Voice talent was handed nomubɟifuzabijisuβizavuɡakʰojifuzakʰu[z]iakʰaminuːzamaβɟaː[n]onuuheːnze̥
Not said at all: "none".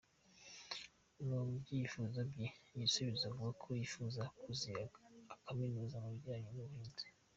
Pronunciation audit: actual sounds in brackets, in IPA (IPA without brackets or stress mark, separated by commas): z, ɲ